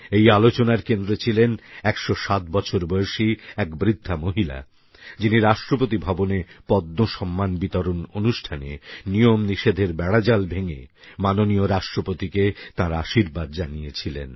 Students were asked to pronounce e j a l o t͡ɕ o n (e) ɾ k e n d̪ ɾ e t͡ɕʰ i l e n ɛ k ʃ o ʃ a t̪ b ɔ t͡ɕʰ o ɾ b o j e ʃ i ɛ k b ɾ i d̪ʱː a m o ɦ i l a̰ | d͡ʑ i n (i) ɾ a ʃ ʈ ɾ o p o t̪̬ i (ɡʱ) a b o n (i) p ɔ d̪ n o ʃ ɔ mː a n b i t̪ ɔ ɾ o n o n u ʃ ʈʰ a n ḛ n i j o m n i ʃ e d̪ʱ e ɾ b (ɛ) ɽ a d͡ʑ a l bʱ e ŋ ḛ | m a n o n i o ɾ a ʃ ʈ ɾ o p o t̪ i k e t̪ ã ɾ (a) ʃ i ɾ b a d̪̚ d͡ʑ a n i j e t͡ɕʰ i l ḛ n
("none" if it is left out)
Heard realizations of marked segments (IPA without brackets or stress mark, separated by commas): a, i, bʱ, e, ɛ, a